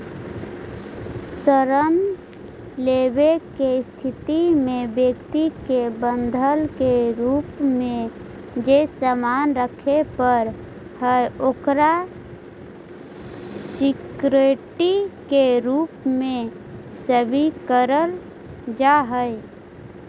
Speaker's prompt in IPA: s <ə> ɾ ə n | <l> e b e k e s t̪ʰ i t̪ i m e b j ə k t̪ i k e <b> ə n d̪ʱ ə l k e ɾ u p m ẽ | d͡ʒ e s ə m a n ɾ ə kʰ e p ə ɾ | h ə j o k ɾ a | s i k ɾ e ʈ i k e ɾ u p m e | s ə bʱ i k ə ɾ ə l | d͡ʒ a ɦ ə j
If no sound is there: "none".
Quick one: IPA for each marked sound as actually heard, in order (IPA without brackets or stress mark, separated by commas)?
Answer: ə, l, b